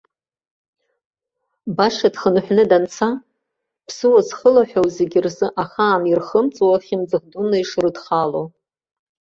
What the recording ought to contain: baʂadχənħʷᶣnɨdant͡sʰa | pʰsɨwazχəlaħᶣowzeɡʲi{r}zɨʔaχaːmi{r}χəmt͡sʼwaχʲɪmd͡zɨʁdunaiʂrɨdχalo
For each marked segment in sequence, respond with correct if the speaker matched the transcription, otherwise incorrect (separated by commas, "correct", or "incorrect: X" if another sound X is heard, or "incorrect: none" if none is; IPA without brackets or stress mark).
correct, correct